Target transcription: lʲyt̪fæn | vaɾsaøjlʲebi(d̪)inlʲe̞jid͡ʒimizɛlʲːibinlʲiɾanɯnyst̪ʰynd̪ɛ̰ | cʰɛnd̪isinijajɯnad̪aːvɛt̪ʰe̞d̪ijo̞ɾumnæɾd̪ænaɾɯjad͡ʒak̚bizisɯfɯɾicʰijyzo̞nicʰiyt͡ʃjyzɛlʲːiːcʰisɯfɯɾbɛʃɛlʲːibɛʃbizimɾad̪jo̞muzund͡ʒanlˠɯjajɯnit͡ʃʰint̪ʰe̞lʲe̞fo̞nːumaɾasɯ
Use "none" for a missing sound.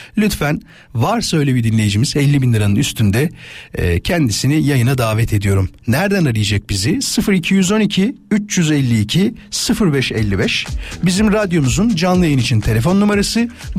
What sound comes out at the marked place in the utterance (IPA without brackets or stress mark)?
d̪